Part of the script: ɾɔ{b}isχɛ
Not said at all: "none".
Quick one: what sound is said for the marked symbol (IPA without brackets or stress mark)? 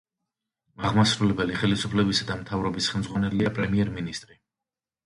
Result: b